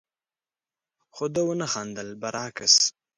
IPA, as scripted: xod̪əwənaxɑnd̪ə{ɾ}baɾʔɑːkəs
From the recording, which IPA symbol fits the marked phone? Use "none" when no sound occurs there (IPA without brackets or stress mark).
l